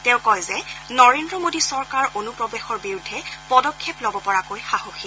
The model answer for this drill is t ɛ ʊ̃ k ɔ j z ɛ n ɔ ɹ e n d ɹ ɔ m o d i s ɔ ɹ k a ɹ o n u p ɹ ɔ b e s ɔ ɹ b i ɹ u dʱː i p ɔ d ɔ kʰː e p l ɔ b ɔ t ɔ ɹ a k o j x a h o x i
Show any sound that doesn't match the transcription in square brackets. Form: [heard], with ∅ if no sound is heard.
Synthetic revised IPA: t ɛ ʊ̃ k ɔ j z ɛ n ɔ ɹ e n d ɹ ɔ m o d i s ɔ ɹ k a ɹ o n u p ɹ ɔ b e [x] ɔ ɹ b i ɹ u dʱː [ɛ] p ɔ d ɔ kʰː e p l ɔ b ɔ [p] ɔ ɹ a k o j x a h o x i